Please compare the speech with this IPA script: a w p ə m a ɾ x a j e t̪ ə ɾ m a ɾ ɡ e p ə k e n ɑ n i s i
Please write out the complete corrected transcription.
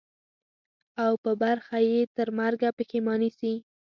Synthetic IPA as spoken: a w p ə b a ɾ x a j e t̪ ə ɾ m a ɾ ɡ a p ə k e m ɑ n i s i